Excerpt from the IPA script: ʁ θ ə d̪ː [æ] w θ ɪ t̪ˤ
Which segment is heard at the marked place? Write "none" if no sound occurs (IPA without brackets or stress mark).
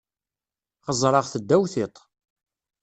æ